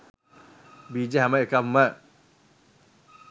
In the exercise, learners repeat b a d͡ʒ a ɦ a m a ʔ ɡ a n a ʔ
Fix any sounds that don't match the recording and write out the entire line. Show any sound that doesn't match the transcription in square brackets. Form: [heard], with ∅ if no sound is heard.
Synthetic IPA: b [i] d͡ʒ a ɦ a m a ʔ [k] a [m] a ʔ